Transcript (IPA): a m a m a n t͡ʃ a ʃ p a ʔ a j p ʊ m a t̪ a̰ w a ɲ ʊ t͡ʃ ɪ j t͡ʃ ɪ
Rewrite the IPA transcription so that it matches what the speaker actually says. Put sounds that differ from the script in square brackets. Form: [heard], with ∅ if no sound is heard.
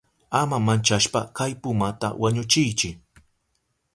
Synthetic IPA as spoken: a m a m a n t͡ʃ a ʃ p a [k] a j p ʊ m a t̪ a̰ w a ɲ ʊ t͡ʃ ɪ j t͡ʃ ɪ